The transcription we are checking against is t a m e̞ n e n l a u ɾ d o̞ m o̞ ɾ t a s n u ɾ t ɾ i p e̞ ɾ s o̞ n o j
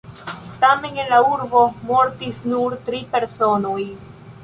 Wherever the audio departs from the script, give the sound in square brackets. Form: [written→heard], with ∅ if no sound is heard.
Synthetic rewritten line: t a m e̞ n e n l a u ɾ [d→b] o̞ m o̞ ɾ t [a→i] s n u ɾ t ɾ i p e̞ ɾ s o̞ n o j